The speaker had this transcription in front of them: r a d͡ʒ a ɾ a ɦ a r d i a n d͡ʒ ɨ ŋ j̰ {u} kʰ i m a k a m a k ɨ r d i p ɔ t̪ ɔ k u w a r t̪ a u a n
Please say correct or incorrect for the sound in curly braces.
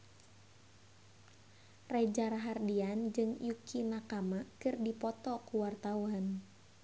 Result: correct